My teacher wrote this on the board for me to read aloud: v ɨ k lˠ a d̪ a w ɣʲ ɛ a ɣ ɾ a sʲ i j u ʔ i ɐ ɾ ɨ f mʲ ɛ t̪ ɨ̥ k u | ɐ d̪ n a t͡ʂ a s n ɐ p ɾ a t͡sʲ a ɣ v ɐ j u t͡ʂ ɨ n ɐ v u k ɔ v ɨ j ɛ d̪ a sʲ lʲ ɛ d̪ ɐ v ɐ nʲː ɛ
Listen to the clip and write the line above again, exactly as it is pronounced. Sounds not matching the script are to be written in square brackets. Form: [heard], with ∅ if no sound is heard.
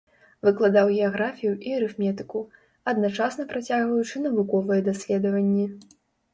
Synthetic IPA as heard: v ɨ k lˠ a d̪ a w ɣʲ ɛ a ɣ ɾ a [fʲ] i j u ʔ i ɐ ɾ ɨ f mʲ ɛ t̪ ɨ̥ k u | ɐ d̪ n a t͡ʂ a s n ɐ p ɾ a t͡sʲ a ɣ v ɐ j u t͡ʂ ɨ n ɐ v u k ɔ v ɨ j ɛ d̪ a sʲ lʲ ɛ d̪ ɐ v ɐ nʲː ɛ